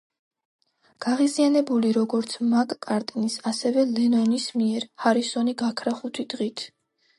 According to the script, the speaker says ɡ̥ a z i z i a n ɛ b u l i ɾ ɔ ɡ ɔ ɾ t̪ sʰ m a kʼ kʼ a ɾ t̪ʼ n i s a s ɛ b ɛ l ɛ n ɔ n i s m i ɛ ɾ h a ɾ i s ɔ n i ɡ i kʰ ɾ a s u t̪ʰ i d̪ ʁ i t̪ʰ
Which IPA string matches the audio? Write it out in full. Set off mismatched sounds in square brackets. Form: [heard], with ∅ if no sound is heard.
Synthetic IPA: ɡ̥ a [ʁ] i z i a n ɛ b u l i ɾ ɔ ɡ ɔ ɾ t̪ sʰ m a kʼ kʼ a ɾ t̪ʼ n i s a s ɛ [v] ɛ l ɛ n ɔ n i s m i ɛ ɾ h a ɾ i s ɔ n i ɡ [a] kʰ ɾ a [χ] u t̪ʰ i d̪ ʁ i t̪ʰ